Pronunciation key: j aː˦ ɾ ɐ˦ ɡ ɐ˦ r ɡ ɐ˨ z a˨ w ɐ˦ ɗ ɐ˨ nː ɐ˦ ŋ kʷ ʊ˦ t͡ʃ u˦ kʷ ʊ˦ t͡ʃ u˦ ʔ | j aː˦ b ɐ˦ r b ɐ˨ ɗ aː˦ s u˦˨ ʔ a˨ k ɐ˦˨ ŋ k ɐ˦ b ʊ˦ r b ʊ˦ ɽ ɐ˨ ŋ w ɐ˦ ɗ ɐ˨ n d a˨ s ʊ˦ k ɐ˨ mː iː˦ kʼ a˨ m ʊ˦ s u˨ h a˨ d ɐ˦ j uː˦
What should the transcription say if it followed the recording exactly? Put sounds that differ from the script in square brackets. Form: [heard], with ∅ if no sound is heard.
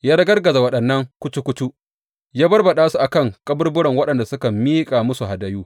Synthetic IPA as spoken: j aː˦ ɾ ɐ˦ ɡ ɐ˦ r ɡ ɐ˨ z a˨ w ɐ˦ ɗ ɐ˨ nː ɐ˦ ŋ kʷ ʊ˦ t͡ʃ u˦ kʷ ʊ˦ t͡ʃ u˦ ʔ | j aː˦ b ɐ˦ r b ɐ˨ ɗ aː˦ s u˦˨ ʔ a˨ k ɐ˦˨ ŋ [kʼ] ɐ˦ b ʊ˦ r b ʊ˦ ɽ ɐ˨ ŋ w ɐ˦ ɗ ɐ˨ n d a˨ s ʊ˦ k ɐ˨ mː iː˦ kʼ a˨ m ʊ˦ s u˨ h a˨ d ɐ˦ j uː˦